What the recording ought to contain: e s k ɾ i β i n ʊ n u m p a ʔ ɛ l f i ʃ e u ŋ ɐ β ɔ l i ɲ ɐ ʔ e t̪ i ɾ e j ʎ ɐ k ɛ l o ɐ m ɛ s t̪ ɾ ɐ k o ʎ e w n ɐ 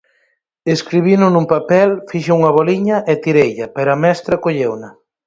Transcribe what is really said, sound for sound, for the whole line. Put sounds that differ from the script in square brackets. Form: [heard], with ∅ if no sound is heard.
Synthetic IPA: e s k ɾ i β i n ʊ n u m p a [p] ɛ l f i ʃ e u ŋ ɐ β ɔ l i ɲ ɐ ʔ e t̪ i ɾ e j ʎ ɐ [p] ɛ [ɾ] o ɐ m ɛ s t̪ ɾ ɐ k o ʎ e w n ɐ